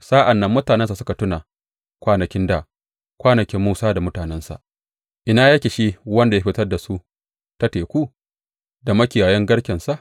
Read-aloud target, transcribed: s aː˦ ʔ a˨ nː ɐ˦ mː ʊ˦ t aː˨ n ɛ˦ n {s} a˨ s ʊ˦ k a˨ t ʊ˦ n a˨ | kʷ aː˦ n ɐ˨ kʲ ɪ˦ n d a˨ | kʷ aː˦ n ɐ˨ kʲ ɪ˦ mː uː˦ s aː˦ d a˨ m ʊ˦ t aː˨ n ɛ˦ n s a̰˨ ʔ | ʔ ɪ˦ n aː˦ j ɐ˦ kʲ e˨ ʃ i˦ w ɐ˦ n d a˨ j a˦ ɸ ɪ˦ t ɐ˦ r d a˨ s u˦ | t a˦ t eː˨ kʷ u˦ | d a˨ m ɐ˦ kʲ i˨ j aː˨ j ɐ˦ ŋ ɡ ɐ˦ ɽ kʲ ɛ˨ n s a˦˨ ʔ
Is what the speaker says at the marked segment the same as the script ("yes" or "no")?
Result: yes